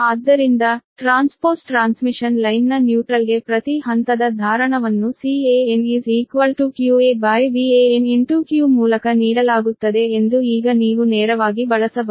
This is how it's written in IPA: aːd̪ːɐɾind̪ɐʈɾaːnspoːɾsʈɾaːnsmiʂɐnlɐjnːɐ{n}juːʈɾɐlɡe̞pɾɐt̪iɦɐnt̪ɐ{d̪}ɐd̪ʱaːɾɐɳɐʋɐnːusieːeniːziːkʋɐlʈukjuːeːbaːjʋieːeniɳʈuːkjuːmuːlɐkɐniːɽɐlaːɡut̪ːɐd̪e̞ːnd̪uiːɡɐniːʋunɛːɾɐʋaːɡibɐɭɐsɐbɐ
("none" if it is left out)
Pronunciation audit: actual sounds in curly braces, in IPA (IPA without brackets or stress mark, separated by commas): n, d̪